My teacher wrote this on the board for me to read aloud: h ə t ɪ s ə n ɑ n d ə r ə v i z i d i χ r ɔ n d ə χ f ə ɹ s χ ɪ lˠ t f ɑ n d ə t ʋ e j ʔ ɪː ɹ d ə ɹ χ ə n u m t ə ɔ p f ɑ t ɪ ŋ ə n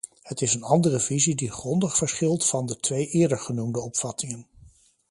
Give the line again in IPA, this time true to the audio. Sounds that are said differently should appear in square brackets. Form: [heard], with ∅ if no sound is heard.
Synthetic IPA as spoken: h ə t ɪ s ə n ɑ n d ə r ə v i z i d i χ r ɔ n d ə χ f ə ɹ s χ ɪ lˠ t f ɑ n d ə t ʋ e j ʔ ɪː ɹ d ə ɹ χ ə n u m [d] ə ɔ p f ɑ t ɪ ŋ ə n